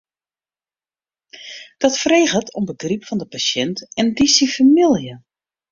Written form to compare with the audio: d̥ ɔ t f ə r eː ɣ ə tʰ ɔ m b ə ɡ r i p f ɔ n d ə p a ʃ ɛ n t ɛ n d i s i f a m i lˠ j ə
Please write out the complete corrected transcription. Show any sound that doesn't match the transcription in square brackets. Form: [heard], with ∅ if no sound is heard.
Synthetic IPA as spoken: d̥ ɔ t f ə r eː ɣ ə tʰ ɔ m b ə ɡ r i p f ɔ n d ə p a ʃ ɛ n t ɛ n d i s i f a m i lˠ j ə